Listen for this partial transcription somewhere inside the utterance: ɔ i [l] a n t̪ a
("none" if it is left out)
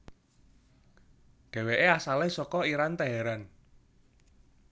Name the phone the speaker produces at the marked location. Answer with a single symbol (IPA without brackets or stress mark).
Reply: ɾ